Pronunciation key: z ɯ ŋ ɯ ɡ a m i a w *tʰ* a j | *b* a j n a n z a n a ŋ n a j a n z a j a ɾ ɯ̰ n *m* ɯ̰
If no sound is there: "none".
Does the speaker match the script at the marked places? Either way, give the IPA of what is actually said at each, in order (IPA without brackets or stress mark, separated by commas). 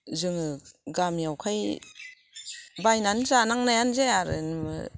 kʰ, b, m